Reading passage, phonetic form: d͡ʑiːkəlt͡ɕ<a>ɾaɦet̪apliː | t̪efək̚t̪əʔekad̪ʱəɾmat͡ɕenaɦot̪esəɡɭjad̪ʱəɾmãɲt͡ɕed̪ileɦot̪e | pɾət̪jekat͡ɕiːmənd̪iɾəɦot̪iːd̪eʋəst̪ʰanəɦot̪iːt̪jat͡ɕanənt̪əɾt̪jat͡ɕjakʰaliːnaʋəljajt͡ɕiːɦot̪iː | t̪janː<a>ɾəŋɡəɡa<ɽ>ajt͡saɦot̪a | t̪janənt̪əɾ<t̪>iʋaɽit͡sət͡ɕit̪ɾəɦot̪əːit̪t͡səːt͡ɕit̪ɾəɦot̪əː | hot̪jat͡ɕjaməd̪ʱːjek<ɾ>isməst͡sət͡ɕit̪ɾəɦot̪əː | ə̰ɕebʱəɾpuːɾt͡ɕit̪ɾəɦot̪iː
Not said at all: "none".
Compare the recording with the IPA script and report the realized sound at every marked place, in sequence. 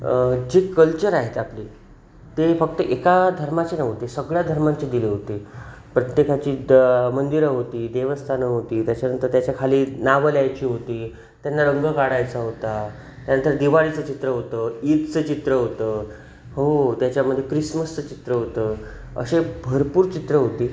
ə, a, ɽ, d̪, ɾ

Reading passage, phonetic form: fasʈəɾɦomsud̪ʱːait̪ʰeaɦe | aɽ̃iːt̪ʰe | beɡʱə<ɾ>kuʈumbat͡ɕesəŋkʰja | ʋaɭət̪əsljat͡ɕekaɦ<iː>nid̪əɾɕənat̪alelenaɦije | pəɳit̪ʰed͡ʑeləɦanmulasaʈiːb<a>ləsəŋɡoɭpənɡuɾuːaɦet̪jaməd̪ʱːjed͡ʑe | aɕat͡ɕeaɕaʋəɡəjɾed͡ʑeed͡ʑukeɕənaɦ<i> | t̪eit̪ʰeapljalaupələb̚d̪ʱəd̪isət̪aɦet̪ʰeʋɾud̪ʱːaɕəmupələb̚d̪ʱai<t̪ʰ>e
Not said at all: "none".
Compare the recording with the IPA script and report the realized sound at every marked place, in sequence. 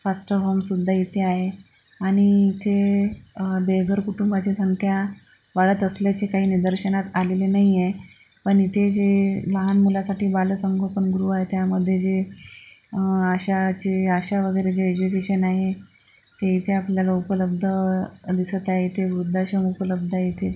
ɾ, iː, a, e, t̪ʰ

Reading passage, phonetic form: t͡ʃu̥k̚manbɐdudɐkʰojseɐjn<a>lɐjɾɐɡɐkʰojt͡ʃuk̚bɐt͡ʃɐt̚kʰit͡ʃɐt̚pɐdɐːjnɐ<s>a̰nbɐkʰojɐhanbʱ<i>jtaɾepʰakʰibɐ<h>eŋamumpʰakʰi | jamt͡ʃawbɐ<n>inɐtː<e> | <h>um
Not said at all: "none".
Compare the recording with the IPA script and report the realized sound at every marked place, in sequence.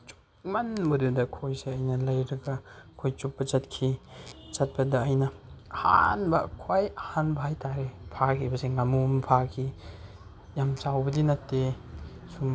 ɐ, h, a, s, d, e, s

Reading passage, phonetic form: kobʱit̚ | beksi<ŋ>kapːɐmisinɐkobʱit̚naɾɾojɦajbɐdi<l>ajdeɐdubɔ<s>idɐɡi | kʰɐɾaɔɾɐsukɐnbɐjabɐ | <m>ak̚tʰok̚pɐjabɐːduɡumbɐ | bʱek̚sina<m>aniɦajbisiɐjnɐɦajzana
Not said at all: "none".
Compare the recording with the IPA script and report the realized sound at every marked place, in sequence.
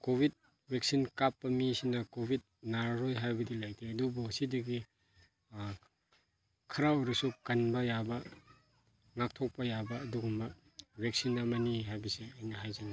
n, l, s, ŋ, m

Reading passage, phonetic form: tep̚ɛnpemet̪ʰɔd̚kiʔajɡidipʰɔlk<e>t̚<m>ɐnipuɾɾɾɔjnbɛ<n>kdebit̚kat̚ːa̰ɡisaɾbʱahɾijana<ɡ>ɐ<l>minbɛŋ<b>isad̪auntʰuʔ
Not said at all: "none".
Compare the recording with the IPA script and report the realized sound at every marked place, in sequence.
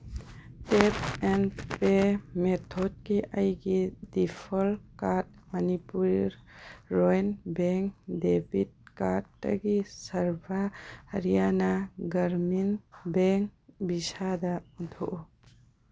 a, m, ŋ, ɡ, ɾ, b

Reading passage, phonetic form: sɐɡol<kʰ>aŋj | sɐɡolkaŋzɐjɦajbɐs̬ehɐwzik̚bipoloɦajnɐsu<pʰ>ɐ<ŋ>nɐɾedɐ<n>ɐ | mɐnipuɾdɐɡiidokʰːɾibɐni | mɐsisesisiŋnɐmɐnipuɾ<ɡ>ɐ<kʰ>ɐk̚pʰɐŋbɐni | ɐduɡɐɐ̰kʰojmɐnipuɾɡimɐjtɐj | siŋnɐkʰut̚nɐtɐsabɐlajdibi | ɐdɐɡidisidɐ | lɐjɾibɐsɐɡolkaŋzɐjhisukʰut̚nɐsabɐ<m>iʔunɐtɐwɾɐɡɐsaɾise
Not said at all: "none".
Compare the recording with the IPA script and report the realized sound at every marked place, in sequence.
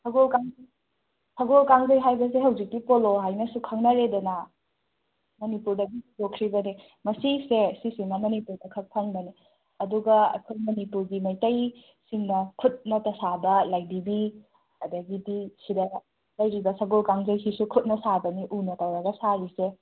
k, kʰ, ŋ, n, d, kʰ, n

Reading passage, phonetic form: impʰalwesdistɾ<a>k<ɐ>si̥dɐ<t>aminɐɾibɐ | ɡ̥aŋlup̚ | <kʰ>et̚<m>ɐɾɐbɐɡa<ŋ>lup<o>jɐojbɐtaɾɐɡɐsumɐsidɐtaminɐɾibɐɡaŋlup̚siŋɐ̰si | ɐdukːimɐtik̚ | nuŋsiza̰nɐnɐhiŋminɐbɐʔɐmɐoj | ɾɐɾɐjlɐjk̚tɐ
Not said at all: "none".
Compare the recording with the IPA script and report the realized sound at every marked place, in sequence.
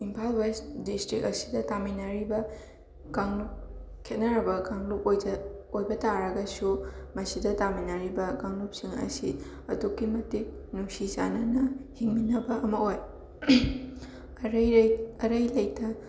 i, ɐ, t, kʰ, n, ŋ, o

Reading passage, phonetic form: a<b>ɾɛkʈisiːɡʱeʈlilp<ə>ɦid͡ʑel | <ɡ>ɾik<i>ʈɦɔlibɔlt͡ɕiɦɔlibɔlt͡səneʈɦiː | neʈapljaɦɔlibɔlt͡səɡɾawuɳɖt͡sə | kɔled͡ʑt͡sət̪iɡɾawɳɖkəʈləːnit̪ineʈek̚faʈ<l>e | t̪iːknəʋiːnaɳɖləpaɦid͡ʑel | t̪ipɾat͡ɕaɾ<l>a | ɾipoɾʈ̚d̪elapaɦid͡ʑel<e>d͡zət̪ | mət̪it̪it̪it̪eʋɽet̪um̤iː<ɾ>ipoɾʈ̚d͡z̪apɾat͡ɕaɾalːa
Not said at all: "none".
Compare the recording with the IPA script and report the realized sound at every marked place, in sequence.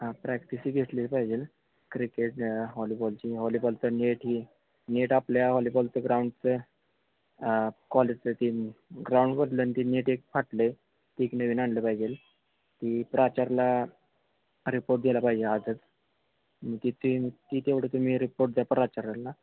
p, a, k, e, l, l, a, ɾ

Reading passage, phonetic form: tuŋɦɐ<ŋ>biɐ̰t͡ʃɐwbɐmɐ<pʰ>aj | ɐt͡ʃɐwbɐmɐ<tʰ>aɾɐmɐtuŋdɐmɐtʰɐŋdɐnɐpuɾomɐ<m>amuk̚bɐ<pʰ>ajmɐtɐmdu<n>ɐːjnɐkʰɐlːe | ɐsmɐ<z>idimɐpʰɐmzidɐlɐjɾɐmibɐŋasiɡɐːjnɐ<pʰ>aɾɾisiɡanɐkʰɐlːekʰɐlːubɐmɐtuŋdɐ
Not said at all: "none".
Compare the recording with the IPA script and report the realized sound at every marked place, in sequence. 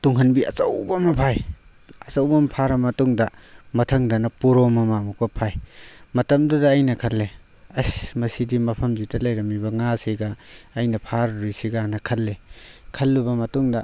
n, pʰ, pʰ, m, pʰ, d, s, pʰ

